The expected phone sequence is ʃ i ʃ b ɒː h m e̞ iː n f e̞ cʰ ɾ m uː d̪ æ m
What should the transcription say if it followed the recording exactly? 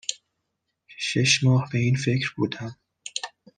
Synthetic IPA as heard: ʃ e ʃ m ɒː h b e̞ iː n f e̞ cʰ ɾ b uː d̪ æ m